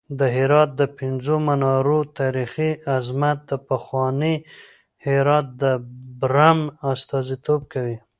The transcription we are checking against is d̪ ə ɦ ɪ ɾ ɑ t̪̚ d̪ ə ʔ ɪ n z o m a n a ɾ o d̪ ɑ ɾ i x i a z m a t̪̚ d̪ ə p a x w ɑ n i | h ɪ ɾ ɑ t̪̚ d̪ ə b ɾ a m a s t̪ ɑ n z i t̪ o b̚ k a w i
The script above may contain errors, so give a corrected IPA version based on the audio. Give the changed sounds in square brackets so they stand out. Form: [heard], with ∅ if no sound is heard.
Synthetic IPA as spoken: d̪ ə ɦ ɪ ɾ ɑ t̪̚ d̪ ə [p] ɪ n z o m a n [ɑ] ɾ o [t̪] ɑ ɾ i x i a z m a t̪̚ d̪ ə p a x w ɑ n i | h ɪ ɾ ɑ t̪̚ d̪ ə b ɾ a m a s t̪ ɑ [∅] z i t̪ o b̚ k a w i